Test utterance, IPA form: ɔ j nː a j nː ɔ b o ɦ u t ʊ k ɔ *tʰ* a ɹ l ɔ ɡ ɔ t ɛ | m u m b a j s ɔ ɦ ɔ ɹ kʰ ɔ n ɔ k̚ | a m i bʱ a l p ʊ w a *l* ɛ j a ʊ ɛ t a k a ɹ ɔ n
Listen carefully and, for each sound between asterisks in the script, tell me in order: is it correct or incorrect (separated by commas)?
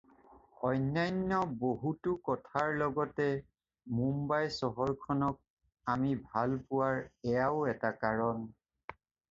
correct, incorrect